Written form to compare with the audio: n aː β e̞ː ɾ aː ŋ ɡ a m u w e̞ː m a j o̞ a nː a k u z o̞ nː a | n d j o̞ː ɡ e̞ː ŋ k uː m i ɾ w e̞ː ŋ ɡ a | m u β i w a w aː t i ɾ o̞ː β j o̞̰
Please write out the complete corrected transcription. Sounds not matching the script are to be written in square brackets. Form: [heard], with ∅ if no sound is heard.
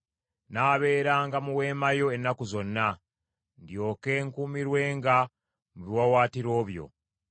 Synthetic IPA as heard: n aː β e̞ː ɾ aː ŋ ɡ a m u w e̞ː m a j o̞ [e] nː a k u z o̞ nː a | n d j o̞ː [k] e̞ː ŋ k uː m i ɾ w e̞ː ŋ ɡ a | m u β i w a w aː t i ɾ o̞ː β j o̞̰

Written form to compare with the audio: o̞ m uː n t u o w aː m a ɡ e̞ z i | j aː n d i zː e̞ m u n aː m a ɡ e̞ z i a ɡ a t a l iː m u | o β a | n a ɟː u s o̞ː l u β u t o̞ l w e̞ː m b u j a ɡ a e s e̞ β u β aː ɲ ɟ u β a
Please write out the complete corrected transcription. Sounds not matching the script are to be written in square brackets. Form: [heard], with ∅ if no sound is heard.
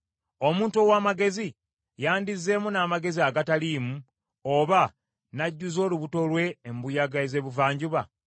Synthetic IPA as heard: o̞ m uː n t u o w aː m a ɡ e̞ z i | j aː n d i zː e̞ m u n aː m a ɡ e̞ z i a ɡ a t a l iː m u | o β a | n a ɟː u [z] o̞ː l u β u t o̞ l w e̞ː m b u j a ɡ a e [z] e̞ β u [v] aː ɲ ɟ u β a

